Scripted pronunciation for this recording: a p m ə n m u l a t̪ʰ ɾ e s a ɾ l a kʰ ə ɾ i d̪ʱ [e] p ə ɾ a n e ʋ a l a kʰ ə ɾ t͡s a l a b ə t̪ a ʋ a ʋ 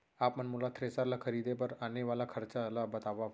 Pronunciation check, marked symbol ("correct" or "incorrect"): correct